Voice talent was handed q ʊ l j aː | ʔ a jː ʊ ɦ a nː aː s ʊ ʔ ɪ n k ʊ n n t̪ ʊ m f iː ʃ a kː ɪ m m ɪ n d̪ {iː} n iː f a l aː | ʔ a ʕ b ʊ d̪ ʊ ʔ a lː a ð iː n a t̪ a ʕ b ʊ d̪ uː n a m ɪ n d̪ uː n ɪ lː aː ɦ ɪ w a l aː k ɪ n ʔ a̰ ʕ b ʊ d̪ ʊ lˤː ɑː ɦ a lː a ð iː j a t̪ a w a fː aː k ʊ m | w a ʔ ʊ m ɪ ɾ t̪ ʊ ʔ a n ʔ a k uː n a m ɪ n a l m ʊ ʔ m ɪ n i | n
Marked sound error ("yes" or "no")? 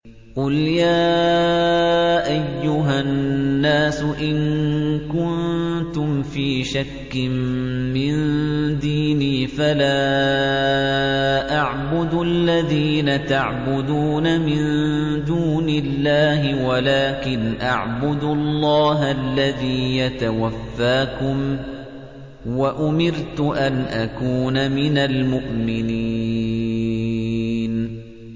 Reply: no